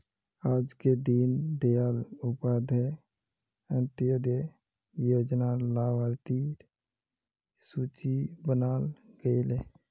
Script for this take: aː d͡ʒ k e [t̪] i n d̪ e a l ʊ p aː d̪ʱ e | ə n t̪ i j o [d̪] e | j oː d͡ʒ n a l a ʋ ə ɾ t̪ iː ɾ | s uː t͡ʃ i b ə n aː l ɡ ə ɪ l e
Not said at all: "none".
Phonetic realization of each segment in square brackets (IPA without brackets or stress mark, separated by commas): d̪, d̪